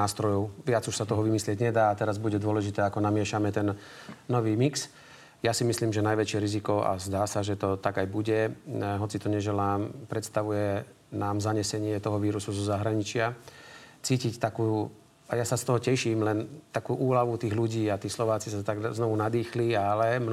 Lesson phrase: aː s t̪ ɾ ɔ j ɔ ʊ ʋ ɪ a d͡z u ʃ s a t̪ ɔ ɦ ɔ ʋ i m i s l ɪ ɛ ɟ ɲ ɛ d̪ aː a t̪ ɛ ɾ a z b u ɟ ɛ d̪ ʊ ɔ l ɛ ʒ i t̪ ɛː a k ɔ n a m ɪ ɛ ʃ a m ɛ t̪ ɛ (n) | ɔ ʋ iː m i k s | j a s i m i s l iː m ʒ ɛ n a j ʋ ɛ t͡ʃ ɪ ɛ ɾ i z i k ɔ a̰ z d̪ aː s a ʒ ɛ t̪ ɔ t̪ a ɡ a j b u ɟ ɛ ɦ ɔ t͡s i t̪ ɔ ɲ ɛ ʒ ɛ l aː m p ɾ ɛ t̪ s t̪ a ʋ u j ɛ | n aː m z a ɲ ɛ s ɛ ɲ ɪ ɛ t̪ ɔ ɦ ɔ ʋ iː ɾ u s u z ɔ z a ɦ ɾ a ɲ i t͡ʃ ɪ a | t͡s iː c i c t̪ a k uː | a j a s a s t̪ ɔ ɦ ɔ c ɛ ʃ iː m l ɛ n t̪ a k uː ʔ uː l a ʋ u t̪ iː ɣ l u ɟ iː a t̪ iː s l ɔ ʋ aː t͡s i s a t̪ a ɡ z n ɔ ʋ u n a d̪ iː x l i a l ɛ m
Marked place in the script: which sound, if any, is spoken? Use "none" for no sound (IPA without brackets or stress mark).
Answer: nː